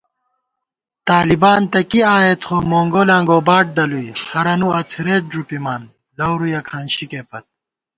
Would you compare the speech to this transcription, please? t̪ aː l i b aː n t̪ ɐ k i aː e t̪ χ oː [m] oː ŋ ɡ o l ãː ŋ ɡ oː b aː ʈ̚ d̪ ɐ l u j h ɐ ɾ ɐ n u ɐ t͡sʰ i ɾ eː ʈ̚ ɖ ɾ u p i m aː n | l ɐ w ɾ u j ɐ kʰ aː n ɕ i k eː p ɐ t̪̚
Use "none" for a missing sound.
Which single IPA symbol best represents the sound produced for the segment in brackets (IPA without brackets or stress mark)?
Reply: m